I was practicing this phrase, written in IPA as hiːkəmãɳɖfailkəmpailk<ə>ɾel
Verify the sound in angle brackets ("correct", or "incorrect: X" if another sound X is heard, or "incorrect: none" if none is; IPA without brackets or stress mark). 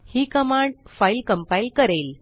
correct